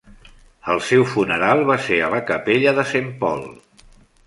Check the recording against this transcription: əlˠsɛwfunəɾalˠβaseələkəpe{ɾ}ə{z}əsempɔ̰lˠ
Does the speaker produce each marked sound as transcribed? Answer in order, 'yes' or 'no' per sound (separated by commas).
no, no